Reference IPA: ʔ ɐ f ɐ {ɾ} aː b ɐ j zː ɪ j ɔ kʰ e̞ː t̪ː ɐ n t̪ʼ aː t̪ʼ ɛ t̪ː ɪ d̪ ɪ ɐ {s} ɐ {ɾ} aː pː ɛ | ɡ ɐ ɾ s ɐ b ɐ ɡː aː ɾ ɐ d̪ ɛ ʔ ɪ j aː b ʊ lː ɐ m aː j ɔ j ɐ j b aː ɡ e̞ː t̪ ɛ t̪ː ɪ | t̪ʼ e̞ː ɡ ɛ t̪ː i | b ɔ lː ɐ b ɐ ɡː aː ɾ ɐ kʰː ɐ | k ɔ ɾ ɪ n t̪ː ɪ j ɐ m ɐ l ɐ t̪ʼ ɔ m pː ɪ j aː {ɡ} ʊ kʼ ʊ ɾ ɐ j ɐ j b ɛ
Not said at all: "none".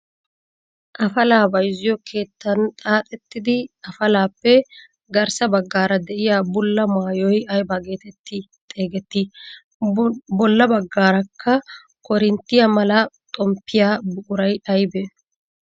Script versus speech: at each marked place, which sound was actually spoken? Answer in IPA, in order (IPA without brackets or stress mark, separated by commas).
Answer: l, f, l, b